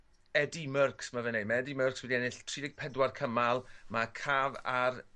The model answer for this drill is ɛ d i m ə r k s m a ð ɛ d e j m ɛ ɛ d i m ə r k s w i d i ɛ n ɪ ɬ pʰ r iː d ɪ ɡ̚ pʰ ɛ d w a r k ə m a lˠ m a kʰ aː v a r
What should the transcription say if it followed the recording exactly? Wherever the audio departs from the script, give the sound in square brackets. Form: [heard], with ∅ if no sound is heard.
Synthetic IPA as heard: ɛ d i m ə r k s m a [v] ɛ [n] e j m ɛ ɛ d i m ə r k s w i d i ɛ n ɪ ɬ [tʰ] r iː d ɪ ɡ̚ pʰ ɛ d w a r [kʰ] ə m a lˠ m a kʰ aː v a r